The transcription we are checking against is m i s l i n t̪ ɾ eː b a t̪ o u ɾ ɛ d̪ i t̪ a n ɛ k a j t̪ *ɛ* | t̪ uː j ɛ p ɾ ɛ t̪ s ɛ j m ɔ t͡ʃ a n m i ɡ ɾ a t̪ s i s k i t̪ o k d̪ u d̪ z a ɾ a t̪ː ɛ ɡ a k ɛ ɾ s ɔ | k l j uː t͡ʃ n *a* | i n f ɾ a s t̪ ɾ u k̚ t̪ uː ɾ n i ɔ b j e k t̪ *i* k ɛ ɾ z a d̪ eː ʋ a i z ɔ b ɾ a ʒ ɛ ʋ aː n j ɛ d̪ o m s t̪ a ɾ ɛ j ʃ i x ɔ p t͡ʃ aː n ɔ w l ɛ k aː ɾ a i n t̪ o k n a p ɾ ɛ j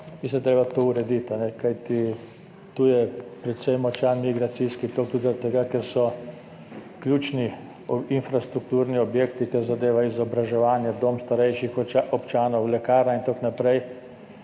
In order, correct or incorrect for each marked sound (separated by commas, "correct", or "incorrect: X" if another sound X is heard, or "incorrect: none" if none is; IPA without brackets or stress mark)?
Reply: incorrect: i, incorrect: i, correct